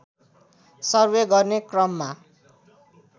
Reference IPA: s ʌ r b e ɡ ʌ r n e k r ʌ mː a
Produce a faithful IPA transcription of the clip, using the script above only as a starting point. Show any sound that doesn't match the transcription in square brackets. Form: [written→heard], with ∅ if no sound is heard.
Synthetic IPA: s ʌ r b e ɡ ʌ r n e k r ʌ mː a